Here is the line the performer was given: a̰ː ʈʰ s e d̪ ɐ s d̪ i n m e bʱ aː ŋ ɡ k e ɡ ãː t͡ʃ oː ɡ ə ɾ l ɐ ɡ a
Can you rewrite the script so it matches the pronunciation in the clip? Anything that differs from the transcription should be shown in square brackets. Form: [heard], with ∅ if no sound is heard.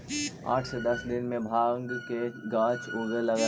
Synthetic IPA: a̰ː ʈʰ s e d̪ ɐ s d̪ [ɪ] n m [ẽ] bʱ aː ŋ ɡ k e ɡ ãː t͡ʃ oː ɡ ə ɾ l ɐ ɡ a